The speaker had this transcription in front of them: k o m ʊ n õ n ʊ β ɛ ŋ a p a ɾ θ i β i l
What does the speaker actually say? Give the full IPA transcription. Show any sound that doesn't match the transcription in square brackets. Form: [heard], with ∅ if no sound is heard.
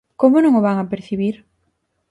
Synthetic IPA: k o m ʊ n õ [ŋ] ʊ β [a] ŋ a p [e] ɾ θ i β i [ɾ]

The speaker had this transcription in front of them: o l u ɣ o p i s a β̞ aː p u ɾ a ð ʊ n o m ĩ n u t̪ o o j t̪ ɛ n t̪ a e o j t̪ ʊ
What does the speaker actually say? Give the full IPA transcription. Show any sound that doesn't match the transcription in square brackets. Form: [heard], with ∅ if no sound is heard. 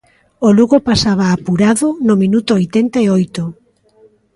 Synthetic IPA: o l u ɣ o p [a] s a β̞ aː p u ɾ a ð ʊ n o m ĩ n u t̪ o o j t̪ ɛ n t̪ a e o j t̪ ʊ

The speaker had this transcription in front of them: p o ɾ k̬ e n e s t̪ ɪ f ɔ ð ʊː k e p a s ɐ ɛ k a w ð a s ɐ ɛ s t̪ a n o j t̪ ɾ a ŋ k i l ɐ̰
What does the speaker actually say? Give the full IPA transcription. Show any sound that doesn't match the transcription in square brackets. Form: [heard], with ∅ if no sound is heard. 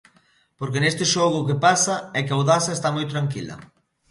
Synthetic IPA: p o ɾ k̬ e n e s t̪ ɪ [ʃ] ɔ [ɣ] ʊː k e p a s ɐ ɛ k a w ð a s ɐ [e] s t̪ a [m] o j t̪ ɾ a ŋ k i l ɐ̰

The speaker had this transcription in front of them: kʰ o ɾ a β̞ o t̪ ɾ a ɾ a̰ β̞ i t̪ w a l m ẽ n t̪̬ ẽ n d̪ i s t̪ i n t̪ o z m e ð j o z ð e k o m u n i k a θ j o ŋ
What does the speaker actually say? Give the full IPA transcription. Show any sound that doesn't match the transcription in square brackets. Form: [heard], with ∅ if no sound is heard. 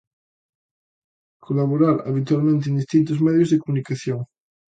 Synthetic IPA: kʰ o [l] a β̞ o [∅] ɾ a ɾ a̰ β̞ i t̪ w a l m ẽ n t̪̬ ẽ n d̪ i s t̪ i n t̪ o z m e ð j o z ð e k o m u n i k a θ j o ŋ

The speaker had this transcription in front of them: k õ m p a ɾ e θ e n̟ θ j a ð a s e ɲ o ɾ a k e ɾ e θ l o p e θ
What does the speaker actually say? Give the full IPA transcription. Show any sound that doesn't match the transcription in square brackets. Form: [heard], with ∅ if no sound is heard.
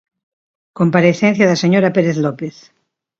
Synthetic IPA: k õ m p a ɾ e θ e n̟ θ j a ð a s e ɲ o ɾ a [p] e ɾ e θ l o p e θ

